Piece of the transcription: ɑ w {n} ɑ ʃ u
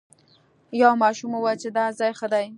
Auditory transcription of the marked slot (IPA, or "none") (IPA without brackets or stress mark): m